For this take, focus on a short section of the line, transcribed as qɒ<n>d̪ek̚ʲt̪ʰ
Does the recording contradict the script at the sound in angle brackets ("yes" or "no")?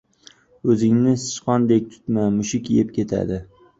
no